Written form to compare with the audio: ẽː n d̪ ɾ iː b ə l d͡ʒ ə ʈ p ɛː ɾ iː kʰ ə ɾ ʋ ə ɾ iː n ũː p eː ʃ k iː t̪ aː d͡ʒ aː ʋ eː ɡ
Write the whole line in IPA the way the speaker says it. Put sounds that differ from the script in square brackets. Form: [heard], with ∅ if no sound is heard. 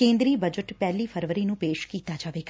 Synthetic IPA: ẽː n d̪ ɾ iː b ə [∅] d͡ʒ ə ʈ p ɛː [l] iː [pʰ] ə ɾ ʋ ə ɾ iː n ũː p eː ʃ k iː t̪ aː d͡ʒ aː ʋ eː ɡ

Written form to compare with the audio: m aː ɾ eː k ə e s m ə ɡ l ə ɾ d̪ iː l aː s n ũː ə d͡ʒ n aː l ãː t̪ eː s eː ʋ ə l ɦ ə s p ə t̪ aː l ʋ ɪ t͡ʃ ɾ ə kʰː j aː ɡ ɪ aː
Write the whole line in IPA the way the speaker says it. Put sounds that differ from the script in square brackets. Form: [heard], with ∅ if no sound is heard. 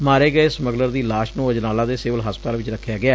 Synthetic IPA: m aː ɾ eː [ɡ] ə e s m ə ɡ l ə ɾ d̪ iː l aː [ʃ] n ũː ə d͡ʒ n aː l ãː [d̪] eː s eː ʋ ə l ɦ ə s p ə t̪ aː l ʋ ɪ t͡ʃ ɾ ə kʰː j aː ɡ ɪ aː

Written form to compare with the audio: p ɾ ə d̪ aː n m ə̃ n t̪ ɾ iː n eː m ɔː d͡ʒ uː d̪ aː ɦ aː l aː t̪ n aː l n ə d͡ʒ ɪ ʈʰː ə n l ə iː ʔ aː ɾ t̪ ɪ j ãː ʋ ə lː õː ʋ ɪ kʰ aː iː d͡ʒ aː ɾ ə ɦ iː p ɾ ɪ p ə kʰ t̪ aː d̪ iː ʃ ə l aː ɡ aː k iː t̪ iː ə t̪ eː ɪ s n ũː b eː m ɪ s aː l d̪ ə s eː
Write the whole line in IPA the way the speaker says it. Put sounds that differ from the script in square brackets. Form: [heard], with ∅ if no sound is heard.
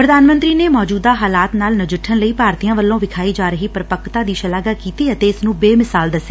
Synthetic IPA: p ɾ ə d̪ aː n m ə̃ n t̪ ɾ iː n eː m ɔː d͡ʒ uː d̪ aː ɦ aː l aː t̪ n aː l n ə d͡ʒ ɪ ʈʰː ə n l ə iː [p] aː ɾ t̪ [i] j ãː ʋ ə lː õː ʋ ɪ kʰ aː iː d͡ʒ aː ɾ ə ɦ iː p ɾ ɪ p ə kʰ t̪ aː d̪ iː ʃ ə l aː ɡ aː k iː t̪ iː ə t̪ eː ɪ s n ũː b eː m ɪ s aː l d̪ ə s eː

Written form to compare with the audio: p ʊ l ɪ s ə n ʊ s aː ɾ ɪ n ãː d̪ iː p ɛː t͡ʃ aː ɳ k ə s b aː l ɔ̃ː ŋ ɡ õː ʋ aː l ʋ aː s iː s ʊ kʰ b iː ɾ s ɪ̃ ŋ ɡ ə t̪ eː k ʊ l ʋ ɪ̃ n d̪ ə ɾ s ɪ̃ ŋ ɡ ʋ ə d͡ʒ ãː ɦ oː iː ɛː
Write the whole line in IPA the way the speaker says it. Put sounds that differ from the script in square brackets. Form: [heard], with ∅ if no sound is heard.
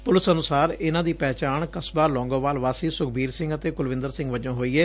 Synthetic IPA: p ʊ l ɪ s ə n ʊ s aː ɾ ɪ n ãː d̪ iː p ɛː t͡ʃ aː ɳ k ə s b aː l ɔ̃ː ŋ ɡ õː ʋ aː l ʋ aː s iː s ʊ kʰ b iː ɾ s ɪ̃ ŋ ɡ ə t̪ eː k ʊ l ʋ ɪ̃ n d̪ ə ɾ s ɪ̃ ŋ ɡ ʋ ə d͡ʒ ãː ɦ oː iː ɛː

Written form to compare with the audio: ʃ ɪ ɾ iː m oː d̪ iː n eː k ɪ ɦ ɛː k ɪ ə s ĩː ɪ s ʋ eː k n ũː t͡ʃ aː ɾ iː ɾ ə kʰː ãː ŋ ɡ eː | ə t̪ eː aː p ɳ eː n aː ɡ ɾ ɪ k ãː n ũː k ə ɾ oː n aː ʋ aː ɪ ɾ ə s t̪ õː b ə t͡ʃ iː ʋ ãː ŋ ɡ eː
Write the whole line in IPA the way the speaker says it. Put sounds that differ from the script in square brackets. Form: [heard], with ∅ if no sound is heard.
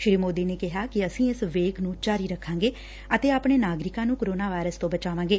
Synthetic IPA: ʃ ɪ ɾ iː m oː d̪ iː n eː k ɪ ɦ [aː] k ɪ ə s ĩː ɪ s ʋ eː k n ũː t͡ʃ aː ɾ iː ɾ ə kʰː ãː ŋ ɡ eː | ə t̪ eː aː p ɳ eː n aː ɡ ɾ ɪ k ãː n ũː k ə ɾ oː n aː ʋ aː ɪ ɾ ə s t̪ õː b ə t͡ʃ [aː] ʋ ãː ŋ ɡ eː

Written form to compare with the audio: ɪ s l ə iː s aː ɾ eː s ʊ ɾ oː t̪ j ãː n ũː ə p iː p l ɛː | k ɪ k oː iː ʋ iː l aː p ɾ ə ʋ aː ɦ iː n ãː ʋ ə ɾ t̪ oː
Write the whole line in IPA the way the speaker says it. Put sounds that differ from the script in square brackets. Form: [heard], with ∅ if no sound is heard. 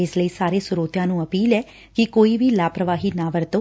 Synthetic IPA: ɪ s l ə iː s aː ɾ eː s ʊ ɾ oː t̪ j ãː n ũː ə p iː [∅] l ɛː | k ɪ k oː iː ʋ iː l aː p ɾ ə ʋ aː ɦ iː n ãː ʋ ə ɾ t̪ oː

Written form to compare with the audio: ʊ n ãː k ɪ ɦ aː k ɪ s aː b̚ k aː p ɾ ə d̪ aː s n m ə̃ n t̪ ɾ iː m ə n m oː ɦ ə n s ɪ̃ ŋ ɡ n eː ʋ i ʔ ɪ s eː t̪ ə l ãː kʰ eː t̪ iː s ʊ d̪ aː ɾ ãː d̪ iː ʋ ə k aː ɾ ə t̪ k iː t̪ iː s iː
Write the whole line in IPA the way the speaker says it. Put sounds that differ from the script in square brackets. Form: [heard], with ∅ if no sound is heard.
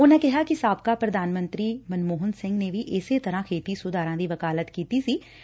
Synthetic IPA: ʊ n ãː k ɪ ɦ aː k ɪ s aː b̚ k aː p ɾ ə d̪ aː [∅] n m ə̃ n t̪ ɾ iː m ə n m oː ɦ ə n s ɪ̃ ŋ ɡ n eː ʋ i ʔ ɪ s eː t̪ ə [ɾ] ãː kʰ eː t̪ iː s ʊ d̪ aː ɾ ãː d̪ iː ʋ ə k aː [l] ə t̪ k iː t̪ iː s iː

